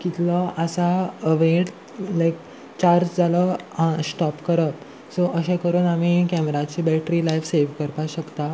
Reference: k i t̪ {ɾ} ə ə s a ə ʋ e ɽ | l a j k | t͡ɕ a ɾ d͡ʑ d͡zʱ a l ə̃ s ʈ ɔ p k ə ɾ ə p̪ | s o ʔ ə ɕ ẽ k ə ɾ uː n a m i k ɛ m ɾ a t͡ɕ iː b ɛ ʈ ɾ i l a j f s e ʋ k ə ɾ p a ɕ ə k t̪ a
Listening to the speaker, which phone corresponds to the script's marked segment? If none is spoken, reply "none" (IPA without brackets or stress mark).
l